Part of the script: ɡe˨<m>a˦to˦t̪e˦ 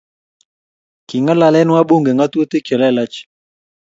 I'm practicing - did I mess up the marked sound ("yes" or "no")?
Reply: yes